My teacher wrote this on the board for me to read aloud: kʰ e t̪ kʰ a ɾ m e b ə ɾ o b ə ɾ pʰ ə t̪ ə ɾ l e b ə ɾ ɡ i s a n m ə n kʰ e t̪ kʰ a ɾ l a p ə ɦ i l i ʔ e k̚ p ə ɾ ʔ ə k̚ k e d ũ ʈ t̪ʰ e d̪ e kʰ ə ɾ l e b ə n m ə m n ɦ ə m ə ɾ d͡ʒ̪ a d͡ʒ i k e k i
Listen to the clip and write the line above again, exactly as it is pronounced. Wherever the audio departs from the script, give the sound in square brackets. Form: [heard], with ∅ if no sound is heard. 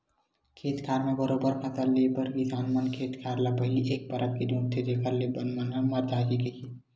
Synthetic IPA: kʰ e t̪ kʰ a ɾ m e b ə ɾ o b ə ɾ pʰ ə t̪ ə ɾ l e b ə ɾ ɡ i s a n m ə n kʰ e t̪ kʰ a ɾ l a p ə ɦ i l i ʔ e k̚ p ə ɾ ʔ ə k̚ k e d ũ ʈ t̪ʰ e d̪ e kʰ ə ɾ l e b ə n m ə [∅] n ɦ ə m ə ɾ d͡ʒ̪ a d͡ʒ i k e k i